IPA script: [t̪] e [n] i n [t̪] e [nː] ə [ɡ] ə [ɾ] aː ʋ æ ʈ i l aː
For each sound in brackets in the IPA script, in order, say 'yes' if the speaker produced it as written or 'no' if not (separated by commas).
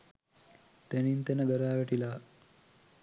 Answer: yes, yes, yes, no, yes, yes